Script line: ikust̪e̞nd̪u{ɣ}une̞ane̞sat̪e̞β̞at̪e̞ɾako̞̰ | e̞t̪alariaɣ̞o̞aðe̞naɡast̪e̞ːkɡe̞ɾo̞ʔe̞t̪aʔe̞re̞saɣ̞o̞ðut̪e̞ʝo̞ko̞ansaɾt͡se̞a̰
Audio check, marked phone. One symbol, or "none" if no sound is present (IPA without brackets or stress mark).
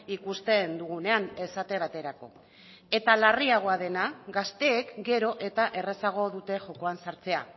ɣ